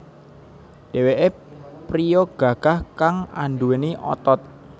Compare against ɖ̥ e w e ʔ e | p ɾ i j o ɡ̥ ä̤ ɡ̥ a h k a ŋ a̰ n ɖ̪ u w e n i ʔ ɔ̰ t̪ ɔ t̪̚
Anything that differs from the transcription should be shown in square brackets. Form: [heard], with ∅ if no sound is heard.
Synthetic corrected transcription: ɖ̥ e w e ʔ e | p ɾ i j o ɡ̥ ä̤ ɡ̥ a h k a ŋ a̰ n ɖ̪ u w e n i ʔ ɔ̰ t̪ ɔ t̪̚